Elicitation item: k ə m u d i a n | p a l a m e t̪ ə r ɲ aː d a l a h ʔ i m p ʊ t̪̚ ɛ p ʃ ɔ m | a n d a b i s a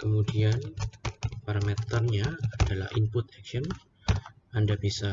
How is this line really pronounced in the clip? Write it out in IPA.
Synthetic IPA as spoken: k ə m u d i a n | p a ɾ a m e t̪ ə r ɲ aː d a l a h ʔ i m p ʊ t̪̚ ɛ k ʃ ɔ n | a n d a b i s a